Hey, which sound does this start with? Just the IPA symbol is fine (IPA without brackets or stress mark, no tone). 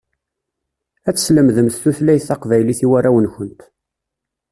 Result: æ